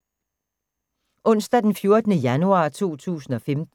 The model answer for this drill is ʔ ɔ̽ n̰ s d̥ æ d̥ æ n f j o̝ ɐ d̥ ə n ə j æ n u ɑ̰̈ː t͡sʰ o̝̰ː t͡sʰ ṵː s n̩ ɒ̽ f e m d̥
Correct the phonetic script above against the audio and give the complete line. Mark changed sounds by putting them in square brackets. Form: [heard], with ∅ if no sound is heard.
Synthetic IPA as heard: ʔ ɔ̽ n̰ s d̥ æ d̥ [e] n f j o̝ ɐ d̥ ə n ə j æ n u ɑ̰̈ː t͡sʰ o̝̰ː t͡sʰ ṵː s n̩ ɒ̽ f e m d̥